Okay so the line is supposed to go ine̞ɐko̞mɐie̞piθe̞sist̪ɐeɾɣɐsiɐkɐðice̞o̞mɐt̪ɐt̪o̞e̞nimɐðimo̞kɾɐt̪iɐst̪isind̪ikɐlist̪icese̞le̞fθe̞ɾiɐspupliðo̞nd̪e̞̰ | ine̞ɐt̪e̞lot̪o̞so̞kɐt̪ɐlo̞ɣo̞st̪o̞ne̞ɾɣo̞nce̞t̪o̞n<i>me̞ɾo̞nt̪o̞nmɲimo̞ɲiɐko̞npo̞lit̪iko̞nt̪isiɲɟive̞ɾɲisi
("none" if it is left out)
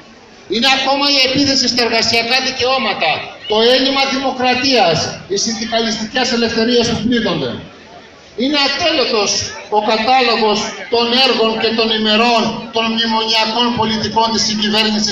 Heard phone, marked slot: i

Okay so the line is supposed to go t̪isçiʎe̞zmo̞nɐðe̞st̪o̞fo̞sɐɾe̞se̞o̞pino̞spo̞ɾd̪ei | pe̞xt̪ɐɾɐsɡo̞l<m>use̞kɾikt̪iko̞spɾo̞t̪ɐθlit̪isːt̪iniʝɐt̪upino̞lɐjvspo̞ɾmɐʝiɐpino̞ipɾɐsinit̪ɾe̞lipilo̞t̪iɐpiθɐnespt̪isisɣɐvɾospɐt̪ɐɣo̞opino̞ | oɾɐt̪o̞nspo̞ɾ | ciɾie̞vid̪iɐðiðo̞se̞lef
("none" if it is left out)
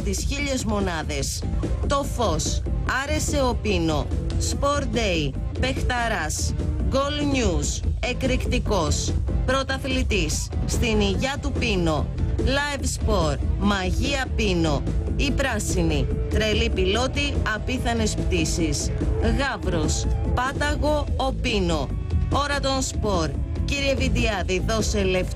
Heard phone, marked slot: ɲ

